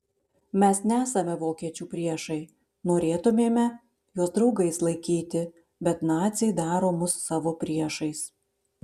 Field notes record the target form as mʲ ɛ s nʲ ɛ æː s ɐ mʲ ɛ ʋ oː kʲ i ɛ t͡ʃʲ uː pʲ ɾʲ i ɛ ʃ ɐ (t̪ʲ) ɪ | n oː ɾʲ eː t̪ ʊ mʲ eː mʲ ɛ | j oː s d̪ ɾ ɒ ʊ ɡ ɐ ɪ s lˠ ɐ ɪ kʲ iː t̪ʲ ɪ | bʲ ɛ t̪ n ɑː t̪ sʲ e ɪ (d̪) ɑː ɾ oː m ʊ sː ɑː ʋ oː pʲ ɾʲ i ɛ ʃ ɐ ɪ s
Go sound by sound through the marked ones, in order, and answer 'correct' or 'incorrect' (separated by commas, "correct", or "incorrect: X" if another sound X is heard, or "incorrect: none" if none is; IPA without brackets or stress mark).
incorrect: none, correct